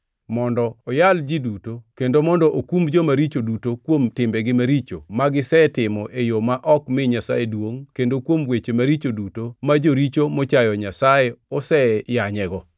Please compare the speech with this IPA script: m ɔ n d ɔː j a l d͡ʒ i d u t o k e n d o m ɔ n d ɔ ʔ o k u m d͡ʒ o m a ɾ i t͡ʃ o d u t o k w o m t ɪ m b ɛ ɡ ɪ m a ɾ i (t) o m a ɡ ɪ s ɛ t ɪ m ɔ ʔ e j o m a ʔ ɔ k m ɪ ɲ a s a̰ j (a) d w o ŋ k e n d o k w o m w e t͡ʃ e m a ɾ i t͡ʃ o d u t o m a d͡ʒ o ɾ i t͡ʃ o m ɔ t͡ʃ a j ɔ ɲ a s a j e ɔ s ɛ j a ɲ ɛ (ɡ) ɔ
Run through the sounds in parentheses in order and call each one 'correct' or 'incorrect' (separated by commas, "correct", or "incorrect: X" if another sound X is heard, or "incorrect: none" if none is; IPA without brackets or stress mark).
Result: incorrect: t͡ʃ, incorrect: e, correct